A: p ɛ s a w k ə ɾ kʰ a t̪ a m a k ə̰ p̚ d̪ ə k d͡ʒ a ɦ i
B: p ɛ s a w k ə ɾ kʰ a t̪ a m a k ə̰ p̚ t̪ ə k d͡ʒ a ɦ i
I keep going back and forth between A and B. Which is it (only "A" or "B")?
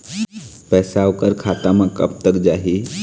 B